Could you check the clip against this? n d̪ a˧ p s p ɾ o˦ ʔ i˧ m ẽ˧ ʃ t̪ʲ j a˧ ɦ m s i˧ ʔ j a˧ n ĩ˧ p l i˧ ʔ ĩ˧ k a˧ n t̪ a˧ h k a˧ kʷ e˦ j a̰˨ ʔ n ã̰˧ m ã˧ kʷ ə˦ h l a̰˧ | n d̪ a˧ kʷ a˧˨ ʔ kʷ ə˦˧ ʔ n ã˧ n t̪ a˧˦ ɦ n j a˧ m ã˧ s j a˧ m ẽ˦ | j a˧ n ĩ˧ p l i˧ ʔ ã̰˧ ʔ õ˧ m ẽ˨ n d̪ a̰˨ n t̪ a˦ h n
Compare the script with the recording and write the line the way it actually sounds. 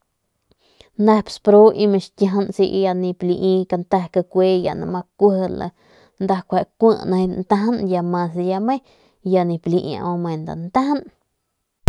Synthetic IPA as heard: n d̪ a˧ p s p ɾ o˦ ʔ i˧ m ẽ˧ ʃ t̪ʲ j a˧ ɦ n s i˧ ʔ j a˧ n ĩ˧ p l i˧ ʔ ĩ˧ k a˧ n t̪ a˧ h k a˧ kʷ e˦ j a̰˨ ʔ n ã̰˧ m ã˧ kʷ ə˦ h l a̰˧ | n d̪ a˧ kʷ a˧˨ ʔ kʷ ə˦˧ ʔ n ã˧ n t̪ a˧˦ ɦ n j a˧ m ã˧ s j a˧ m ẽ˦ | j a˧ n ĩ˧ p l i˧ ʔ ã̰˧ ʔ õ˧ m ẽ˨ n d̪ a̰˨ n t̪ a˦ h n